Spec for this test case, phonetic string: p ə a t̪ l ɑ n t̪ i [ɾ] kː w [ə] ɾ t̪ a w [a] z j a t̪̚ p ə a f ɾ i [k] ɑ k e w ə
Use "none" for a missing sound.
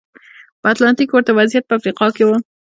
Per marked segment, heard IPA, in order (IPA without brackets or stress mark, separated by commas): none, ə, a, q